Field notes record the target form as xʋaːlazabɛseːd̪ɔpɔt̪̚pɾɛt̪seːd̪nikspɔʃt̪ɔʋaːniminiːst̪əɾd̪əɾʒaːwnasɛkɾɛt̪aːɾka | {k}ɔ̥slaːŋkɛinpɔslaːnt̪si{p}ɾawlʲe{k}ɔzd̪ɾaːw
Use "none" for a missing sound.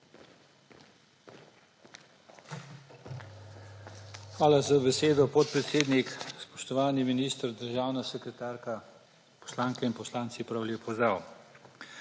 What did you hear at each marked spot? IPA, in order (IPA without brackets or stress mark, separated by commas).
p, p, p